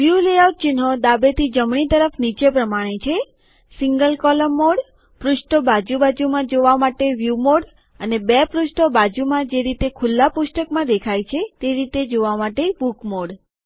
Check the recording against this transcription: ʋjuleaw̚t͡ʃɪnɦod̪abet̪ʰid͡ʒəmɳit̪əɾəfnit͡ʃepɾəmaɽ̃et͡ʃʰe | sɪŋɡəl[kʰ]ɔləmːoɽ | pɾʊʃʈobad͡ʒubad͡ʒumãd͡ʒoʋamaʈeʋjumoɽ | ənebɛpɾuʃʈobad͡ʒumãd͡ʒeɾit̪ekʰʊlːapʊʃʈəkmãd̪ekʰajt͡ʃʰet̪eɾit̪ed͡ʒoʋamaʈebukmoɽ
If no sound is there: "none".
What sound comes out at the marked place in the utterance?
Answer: k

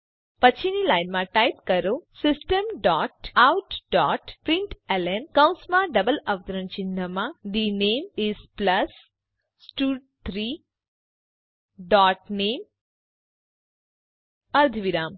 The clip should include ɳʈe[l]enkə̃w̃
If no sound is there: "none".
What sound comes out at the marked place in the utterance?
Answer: l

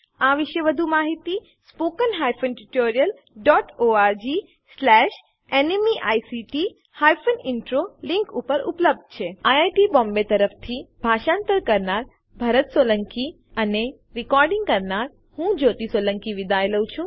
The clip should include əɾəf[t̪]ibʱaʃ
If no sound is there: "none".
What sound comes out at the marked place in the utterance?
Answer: t̪ʰ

